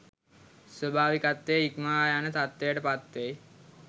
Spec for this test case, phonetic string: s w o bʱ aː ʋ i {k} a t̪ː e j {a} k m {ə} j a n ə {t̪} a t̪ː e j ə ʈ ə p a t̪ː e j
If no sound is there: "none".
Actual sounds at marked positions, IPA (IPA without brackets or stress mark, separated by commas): k, i, a, t̪